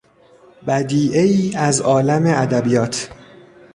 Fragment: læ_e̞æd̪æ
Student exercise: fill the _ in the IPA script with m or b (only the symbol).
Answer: m